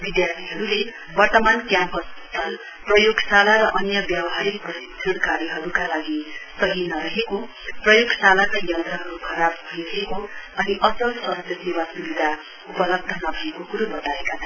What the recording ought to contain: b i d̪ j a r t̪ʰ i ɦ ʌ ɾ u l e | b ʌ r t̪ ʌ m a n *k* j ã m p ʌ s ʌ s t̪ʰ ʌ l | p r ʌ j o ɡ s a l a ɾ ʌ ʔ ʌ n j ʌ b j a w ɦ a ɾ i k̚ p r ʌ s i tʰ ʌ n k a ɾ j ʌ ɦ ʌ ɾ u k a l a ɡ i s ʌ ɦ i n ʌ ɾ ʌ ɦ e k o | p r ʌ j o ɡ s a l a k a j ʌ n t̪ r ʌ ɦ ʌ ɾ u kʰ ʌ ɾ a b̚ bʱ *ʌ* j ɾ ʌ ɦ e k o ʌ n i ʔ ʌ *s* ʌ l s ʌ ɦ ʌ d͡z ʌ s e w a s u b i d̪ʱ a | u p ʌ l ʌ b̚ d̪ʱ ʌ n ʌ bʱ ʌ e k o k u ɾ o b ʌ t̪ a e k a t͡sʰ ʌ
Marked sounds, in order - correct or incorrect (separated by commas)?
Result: correct, correct, correct